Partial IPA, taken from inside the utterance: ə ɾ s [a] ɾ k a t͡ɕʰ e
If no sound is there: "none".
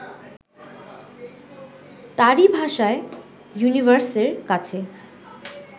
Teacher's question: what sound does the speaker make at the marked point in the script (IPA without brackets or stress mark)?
e